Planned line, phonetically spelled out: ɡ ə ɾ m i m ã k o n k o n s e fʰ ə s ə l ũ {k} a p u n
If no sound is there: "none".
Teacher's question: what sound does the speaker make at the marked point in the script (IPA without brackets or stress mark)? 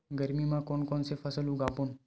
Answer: ɡ